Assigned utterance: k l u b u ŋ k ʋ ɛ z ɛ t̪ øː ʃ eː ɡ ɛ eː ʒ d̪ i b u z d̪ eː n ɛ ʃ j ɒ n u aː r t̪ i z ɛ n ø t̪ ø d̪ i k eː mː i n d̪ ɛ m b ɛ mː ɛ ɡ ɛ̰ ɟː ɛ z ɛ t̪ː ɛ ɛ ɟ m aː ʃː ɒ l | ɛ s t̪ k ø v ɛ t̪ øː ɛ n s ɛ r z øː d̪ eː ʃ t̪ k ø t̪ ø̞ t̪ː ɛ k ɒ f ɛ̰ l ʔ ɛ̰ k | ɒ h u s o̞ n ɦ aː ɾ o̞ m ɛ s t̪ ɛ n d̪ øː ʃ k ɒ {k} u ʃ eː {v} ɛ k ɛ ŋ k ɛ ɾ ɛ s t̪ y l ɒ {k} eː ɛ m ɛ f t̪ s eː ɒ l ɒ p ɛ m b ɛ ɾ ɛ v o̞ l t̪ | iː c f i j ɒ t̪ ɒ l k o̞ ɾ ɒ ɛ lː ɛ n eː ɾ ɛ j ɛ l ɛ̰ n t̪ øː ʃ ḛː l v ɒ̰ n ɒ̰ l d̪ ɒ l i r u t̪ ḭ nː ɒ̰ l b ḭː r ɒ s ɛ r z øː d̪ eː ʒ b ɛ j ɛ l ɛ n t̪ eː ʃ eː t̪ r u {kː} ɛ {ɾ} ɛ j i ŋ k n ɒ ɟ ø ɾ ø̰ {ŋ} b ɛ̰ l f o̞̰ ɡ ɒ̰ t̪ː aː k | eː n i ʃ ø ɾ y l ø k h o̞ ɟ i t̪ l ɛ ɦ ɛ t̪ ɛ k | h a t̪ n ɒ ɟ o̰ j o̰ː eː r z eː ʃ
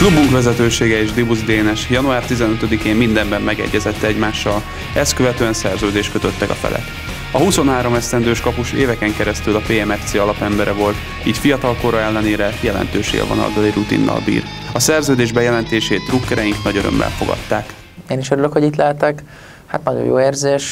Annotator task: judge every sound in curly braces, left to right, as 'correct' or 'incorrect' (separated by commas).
incorrect, correct, incorrect, correct, correct, incorrect